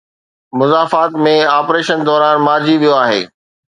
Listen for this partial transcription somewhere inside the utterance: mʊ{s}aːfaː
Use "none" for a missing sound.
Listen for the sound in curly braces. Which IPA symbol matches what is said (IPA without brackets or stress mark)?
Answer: z